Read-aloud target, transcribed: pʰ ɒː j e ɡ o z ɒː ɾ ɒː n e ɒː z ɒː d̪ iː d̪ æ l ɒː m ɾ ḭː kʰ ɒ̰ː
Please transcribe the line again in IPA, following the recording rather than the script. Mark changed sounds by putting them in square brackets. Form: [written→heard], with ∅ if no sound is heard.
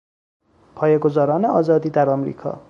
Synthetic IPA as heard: pʰ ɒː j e ɡ o z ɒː ɾ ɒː n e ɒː z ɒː d̪ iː d̪ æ [l→ɾ] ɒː m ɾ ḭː kʰ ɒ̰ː